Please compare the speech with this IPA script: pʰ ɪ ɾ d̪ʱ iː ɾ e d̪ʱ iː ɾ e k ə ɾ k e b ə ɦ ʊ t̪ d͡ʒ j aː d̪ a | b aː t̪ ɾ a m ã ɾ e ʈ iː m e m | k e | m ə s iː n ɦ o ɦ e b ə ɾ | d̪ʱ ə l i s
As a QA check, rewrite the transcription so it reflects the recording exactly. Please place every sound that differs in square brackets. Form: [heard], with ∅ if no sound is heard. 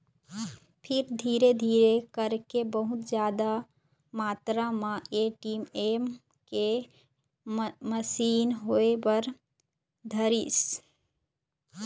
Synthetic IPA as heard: pʰ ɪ ɾ d̪ʱ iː ɾ e d̪ʱ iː ɾ e k ə ɾ k e b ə ɦ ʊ t̪ d͡ʒ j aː d̪ a | [m] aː t̪ ɾ a m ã [∅] e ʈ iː m e m | k e | m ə s iː n ɦ o [∅] e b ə ɾ | d̪ʱ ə [ɾ] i s